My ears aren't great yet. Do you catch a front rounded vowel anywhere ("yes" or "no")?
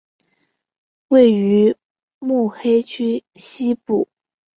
yes